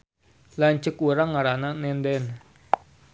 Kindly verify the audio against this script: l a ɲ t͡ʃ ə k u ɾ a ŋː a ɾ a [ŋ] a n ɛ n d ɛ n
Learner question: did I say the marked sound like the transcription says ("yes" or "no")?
no